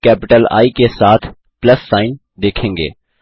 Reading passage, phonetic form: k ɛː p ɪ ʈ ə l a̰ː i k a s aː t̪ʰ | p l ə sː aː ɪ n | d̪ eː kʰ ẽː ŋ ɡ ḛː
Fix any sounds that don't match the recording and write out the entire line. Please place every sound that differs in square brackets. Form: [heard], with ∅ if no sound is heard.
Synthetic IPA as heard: k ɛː p ɪ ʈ ə l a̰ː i k [e] s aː t̪ʰ | p l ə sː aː ɪ n | d̪ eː kʰ ẽː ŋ ɡ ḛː